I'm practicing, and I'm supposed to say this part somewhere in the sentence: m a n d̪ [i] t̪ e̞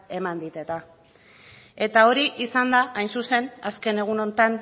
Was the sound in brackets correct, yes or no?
yes